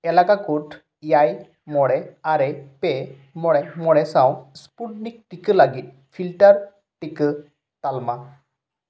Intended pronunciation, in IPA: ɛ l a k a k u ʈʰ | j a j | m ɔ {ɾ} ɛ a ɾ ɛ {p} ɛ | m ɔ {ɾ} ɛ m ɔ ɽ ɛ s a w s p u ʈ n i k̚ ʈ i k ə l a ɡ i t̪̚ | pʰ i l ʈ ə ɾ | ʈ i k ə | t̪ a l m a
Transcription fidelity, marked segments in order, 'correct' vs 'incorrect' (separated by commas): incorrect, correct, incorrect